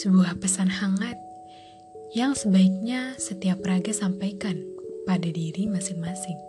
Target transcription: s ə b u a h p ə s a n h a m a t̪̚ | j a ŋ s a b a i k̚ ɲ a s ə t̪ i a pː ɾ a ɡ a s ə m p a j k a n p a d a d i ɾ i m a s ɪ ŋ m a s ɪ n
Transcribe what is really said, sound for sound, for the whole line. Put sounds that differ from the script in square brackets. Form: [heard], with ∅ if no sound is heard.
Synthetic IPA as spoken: s ə b u a h p ə s a n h a [ŋ] a t̪̚ | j a ŋ s [ə] b a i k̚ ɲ a s ə t̪ i a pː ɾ a ɡ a s [a] m p a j k a n p a d a d i ɾ i m a s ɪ ŋ m a s ɪ [ŋ]